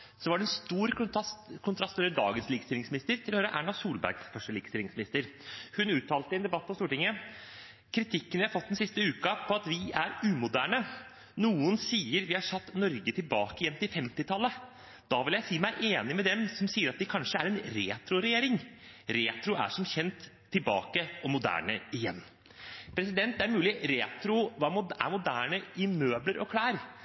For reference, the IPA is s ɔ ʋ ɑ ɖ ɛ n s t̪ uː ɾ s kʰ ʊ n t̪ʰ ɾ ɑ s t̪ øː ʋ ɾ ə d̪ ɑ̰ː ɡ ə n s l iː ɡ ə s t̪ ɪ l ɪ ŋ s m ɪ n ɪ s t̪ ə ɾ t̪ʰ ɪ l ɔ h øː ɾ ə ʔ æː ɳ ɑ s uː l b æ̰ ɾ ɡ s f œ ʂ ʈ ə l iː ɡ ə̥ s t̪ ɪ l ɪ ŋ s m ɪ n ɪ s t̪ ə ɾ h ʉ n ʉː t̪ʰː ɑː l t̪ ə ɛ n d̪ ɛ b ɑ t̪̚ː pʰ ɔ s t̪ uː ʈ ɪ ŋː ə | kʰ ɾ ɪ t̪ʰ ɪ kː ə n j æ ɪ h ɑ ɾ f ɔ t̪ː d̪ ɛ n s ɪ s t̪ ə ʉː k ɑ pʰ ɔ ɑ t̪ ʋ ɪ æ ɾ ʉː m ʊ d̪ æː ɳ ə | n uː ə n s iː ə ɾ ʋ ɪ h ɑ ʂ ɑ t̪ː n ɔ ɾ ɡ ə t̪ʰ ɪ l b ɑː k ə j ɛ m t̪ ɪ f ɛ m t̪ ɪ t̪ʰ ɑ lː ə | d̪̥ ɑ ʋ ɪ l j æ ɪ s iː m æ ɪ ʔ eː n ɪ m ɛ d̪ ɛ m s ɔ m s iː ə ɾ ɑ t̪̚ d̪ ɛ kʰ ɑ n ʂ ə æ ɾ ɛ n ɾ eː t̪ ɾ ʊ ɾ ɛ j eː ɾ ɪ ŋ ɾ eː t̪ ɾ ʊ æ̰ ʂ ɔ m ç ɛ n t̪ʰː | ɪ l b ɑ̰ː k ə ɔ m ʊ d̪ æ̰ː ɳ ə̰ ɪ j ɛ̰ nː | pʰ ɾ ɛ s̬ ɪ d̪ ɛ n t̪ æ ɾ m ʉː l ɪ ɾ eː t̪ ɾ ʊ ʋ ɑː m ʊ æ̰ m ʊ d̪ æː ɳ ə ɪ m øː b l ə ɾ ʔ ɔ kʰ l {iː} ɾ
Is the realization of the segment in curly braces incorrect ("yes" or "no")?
yes